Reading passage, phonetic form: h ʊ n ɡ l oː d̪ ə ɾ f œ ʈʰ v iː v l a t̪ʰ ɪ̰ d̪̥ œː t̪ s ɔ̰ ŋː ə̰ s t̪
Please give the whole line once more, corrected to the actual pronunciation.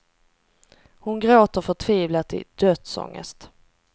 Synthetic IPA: h ʊ n ɡ ɾ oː t̪ ə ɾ f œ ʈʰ v iː v l a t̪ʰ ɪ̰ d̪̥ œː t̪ s ɔ̰ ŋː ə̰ s t̪

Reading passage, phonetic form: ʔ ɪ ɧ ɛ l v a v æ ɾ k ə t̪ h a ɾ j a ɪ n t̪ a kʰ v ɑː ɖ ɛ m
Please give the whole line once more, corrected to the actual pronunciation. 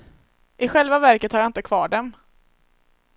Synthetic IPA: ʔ ɪ ɧ ɛ l v a v æ ɾ k ə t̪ h a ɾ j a ɪ n t̪ ə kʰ v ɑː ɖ ɛ m

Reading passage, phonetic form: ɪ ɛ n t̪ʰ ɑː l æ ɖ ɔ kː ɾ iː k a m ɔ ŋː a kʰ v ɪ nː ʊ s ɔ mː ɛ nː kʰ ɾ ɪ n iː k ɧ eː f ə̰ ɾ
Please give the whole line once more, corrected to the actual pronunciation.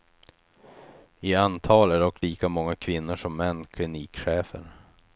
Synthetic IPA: ɪ a n t̪ʰ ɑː l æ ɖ ɔ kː l iː k a m ɔ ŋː a kʰ v ɪ nː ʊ ʂ ɔ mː ɛ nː kʰ l ɪ n iː k ɧ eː f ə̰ ɾ

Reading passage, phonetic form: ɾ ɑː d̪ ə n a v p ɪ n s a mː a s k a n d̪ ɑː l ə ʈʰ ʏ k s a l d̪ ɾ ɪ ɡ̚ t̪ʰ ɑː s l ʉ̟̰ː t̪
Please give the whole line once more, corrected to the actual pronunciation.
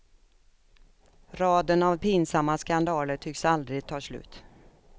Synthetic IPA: ɾ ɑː d̪ ə n a v p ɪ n s a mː a s k a n d̪ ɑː l ə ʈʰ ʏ k s a l d̪ ɾ ɪ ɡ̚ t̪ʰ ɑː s l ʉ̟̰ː t̪

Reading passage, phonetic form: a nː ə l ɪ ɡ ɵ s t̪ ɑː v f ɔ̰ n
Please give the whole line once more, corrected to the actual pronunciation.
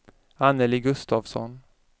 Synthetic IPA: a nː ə l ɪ ɡ ɵ s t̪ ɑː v s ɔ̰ n

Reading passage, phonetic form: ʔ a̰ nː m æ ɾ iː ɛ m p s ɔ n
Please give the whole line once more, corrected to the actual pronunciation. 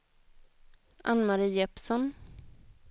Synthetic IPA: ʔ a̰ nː m a ɾ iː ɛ p s ɔ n

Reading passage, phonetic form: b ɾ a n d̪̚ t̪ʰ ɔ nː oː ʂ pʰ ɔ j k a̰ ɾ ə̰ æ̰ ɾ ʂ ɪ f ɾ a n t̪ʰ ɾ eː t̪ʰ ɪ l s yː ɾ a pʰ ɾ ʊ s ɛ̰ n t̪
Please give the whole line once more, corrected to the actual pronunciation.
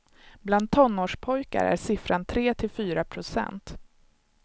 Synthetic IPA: b l a n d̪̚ t̪ʰ ɔ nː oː ʂ pʰ ɔ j k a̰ ɾ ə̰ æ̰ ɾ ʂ ɪ f ɾ a n t̪ʰ ɾ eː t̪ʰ ɪ l f yː ɾ a pʰ ɾ ʊ s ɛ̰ n t̪

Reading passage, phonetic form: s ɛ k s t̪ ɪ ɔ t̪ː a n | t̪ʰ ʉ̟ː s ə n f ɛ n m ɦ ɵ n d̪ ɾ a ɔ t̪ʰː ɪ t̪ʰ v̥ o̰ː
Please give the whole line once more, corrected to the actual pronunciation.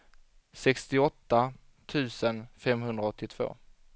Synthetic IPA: s ɛ k s t̪ ɪ ɔ t̪ː a | t̪ʰ ʉ̟ː s ə n f ɛ m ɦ ɵ n d̪ ɾ a ɔ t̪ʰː ɪ t̪ʰ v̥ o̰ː

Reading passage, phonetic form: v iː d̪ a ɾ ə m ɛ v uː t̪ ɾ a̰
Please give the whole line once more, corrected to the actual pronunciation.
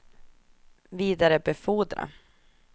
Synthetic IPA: v iː d̪ a ɾ ə b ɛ f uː d̪ ɾ a̰

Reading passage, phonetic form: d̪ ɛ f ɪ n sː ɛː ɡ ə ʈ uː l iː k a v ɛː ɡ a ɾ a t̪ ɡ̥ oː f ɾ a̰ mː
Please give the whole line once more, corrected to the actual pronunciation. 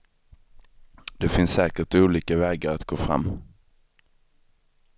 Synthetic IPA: d̪ ɛ f ɪ n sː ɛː k ə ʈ uː l iː k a v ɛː ɡ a ɾ a t̪ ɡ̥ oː f ɾ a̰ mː

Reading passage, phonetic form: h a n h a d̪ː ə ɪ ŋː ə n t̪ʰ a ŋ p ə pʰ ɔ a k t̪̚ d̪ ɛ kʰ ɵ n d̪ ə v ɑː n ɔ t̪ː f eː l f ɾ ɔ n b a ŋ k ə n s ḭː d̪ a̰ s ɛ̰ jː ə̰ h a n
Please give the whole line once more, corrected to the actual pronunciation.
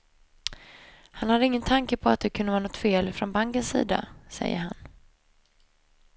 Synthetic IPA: h a n h a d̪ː ə ɪ ŋː ə n t̪ʰ a ŋ k ə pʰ ɔ a t̪̚ d̪ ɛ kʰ ɵ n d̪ ə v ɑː n ɔ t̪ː f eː l f ɾ ɔ n b a ŋ k ə n s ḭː d̪ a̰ s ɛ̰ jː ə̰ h a n

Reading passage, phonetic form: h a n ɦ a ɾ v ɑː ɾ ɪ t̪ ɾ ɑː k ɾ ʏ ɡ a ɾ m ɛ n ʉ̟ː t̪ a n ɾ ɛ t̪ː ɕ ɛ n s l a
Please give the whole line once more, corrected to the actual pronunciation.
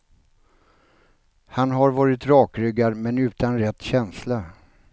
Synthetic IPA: h a n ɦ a ɾ v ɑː ɾ ɪ t̪ ɾ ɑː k ɾ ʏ ɡ a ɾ m ɛ n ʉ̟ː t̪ a n ɾ ɛ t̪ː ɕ ɛ n s l a

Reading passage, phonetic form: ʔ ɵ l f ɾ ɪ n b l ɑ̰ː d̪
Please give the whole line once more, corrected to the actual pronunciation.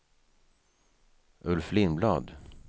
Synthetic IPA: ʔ ɵ l f l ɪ n b l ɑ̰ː d̪

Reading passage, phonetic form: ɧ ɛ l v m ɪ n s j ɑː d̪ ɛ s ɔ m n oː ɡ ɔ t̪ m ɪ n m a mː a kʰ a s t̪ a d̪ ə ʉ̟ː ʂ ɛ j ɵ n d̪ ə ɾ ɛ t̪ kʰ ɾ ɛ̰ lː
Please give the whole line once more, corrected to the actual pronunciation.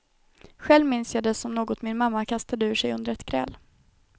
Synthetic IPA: ɧ ɛ l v m ɪ n s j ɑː d̪ ɛ s ɔ m n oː ɡ ɔ t̪ m ɪ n m a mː a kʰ a s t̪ a d̪ ə ʉ̟ː ʂ ɛ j ɵ n d̪ ə ɾ ɛ t̪ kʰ ɾ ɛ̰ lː

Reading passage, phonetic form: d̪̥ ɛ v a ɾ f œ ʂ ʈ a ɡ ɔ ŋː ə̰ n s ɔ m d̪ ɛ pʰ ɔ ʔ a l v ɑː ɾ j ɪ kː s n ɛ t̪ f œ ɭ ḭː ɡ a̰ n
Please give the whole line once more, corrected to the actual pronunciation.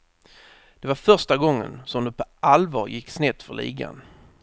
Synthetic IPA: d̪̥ ɛ v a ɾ f œ ʂ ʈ a ɡ ɔ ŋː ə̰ n s ɔ m d̪ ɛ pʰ ɔ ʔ a l v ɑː ɾ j ɪ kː s n ɛ t̪ f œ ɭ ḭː ɡ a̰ n

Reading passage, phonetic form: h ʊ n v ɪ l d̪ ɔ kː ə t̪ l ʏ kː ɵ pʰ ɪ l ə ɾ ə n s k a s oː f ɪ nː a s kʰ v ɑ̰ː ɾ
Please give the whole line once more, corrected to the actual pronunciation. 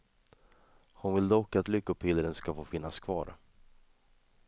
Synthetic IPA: h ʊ n v ɪ l d̪ ɔ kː a t̪ l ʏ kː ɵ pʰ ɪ l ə ɾ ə n s k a f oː f ɪ nː a s kʰ v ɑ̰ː ɾ

